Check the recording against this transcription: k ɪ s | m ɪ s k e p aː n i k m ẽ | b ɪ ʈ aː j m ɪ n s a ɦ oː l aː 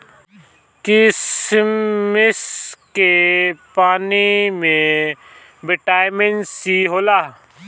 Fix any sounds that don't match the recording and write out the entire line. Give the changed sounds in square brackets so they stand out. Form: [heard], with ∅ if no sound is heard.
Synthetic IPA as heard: k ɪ s | m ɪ s k e p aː n i [∅] m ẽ | b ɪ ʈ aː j m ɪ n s [i] ɦ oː l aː

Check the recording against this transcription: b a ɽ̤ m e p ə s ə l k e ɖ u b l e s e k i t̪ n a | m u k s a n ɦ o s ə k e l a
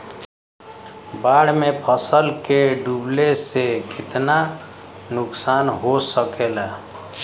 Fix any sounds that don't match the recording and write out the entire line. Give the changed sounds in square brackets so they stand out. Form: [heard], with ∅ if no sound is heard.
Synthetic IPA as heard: b a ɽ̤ m e [pʰ] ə s ə l k e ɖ u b l e s e k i t̪ n a | [n] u k s a n ɦ o s ə k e l a

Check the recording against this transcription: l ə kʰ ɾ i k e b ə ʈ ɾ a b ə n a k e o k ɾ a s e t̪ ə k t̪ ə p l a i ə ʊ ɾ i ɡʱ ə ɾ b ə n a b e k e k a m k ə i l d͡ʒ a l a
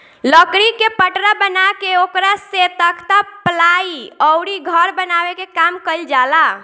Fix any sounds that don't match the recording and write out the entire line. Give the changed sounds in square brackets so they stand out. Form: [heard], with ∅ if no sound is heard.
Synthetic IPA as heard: l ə [k] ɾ i k e [p] ə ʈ ɾ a b ə n a k e o k ɾ a s e t̪ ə k t̪ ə p l a i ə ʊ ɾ i ɡʱ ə ɾ b ə n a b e k e k a m k ə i l d͡ʒ a l a

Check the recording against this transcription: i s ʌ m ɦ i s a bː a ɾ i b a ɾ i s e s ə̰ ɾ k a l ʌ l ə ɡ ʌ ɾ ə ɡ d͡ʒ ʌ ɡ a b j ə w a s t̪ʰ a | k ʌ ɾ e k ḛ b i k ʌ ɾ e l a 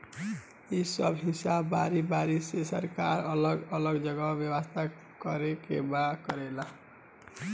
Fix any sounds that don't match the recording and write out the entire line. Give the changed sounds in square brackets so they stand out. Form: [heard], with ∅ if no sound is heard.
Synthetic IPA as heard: i s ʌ [b] ɦ i s a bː a ɾ i b a ɾ i s e s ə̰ ɾ k a [ɾ] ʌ l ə ɡ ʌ [l] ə ɡ d͡ʒ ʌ ɡ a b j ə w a s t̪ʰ a | k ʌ ɾ e k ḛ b [a] k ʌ ɾ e l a

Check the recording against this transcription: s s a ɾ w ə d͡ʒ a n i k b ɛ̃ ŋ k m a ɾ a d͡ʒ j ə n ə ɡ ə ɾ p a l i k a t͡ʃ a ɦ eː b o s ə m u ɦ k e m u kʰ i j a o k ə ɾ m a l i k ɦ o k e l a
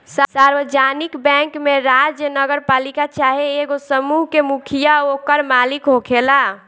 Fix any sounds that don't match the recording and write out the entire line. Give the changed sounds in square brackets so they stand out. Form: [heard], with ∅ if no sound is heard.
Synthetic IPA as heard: s s a ɾ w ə d͡ʒ a n i k b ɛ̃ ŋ k m [e] ɾ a d͡ʒ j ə n ə ɡ ə ɾ p a l i k a t͡ʃ a ɦ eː [ɡ] o s ə m u ɦ k e m u kʰ i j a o k ə ɾ m a l i k ɦ o [kʰ] e l a

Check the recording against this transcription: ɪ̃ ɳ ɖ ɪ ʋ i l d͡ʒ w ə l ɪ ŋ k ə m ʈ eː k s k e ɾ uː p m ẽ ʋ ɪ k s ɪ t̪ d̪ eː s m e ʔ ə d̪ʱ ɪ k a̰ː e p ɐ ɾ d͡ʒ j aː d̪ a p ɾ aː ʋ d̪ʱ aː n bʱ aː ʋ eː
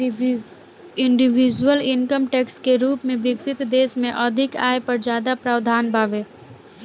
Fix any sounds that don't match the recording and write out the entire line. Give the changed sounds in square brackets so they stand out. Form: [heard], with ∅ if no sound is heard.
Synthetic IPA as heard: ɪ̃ ɳ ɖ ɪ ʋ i [∅] d͡ʒ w ə l ɪ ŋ k ə m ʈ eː k s k e ɾ uː p m ẽ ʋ ɪ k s ɪ t̪ d̪ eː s m [ẽ] ʔ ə d̪ʱ ɪ k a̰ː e p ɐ ɾ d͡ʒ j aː d̪ a p ɾ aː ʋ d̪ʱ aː n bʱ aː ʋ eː

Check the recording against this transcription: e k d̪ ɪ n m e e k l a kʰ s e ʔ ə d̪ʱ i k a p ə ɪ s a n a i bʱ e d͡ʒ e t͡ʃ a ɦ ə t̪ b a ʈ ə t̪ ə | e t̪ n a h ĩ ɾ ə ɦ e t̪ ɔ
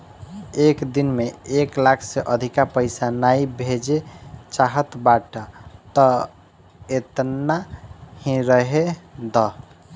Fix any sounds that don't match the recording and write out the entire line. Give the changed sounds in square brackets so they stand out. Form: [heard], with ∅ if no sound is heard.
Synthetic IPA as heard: e k d̪ [i] n m e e k l a kʰ s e ʔ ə d̪ʱ i k a p ə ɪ s a n a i bʱ e d͡ʒ e t͡ʃ a ɦ ə t̪ b a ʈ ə t̪ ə | e t̪ n a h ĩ ɾ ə ɦ e [d̪] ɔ

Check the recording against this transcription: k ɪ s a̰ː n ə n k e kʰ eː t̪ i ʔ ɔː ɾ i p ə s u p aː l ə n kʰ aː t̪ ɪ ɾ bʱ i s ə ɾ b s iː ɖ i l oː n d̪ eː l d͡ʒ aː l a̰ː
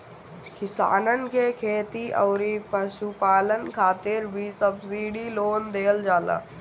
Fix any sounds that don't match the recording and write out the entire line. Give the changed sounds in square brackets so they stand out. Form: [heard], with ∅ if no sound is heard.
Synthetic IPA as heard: k ɪ s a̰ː n ə n k e kʰ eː t̪ i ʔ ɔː ɾ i p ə [ʃ] u p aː l ə n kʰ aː t̪ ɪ ɾ bʱ i s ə [∅] b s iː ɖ i l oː n d̪ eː l d͡ʒ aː l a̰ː

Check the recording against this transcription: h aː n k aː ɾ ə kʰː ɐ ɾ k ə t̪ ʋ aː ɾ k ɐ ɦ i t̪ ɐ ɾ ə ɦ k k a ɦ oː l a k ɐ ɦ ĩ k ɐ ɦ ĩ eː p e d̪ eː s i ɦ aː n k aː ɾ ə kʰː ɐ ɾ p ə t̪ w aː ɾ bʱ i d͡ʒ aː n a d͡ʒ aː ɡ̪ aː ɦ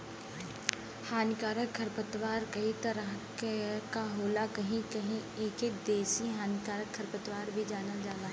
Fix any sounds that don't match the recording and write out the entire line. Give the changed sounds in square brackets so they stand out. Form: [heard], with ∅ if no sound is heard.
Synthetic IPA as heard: h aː n k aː ɾ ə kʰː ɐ ɾ [p] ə t̪ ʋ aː ɾ k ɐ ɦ i t̪ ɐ ɾ ə ɦ k k a ɦ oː l a k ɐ ɦ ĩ k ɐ ɦ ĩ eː [k] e d̪ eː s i ɦ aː n k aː ɾ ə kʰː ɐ ɾ p ə t̪ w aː ɾ bʱ i d͡ʒ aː n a d͡ʒ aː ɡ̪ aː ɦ

